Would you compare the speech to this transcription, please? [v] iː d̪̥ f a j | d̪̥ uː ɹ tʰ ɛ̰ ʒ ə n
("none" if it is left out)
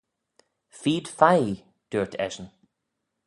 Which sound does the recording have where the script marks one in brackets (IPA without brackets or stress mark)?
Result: f